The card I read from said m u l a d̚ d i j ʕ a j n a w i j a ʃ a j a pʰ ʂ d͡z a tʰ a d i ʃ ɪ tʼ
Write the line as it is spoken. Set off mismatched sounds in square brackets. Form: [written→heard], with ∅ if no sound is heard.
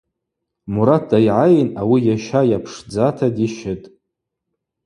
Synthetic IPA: m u [l→ɾ] a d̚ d [i→a] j ʕ a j n a w i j a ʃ a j a pʰ ʂ d͡z a tʰ a d i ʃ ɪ tʼ